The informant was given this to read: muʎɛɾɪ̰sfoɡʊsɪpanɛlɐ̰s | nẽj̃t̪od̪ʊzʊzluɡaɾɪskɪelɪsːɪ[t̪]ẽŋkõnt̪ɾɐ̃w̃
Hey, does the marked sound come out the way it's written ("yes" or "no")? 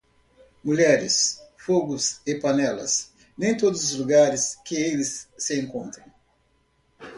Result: no